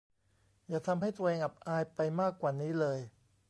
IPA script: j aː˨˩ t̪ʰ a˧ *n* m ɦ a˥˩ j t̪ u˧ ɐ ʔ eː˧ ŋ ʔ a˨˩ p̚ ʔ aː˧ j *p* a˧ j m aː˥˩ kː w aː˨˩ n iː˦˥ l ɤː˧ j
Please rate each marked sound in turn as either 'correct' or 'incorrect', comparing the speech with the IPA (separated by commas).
incorrect, correct